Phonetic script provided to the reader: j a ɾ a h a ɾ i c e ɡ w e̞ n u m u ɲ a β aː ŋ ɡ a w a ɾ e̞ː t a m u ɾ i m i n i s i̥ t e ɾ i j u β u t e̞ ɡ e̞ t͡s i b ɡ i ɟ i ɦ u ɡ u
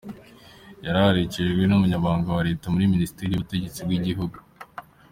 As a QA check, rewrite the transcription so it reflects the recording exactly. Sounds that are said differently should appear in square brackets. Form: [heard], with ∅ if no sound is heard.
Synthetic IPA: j a ɾ a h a ɾ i c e ɡ w e̞ n u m u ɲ a β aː ŋ ɡ a w a ɾ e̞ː t a m u ɾ i m i n i s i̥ t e ɾ i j u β u t e̞ [ɟ] e̞ t͡s i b ɡ i ɟ i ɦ u ɡ u